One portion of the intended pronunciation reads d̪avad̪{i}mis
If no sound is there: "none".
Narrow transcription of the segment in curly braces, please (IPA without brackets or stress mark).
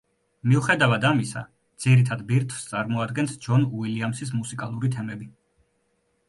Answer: a